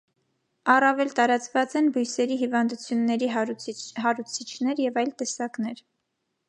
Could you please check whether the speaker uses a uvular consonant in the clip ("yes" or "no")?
no